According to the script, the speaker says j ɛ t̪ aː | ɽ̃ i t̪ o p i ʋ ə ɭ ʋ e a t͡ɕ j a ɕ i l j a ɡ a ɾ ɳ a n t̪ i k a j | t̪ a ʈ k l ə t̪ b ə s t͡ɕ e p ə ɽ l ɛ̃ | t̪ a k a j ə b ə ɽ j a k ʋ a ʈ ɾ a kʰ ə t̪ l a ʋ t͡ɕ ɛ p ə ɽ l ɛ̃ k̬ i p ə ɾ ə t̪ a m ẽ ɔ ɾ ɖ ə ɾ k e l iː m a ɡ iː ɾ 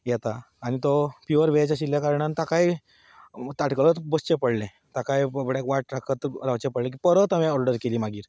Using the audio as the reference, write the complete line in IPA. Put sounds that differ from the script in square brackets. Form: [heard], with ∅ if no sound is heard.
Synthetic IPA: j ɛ t̪ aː | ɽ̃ i t̪ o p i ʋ ə [ɾ] ʋ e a t͡ɕ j a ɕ i l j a [k] a ɾ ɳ a n t̪ [a] k a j | t̪ a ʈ k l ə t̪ b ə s t͡ɕ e p ə ɽ l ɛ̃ | t̪ a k a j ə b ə ɽ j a k ʋ a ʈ ɾ a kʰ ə t̪ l a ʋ t͡ɕ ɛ p ə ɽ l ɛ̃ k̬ i p ə ɾ ə t̪ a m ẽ ɔ ɾ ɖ ə ɾ k e l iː m a ɡ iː ɾ